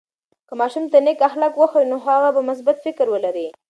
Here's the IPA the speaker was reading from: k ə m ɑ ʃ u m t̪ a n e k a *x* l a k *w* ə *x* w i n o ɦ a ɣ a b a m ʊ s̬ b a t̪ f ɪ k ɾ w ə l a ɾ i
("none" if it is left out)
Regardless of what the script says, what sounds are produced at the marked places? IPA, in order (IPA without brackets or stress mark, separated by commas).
x, w, x